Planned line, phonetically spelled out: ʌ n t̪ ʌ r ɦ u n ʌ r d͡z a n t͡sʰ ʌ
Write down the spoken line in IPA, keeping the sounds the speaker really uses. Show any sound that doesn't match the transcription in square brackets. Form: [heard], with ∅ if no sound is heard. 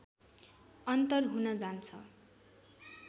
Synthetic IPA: ʌ n t̪ ʌ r ɦ u n ʌ [∅] d͡z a n t͡sʰ ʌ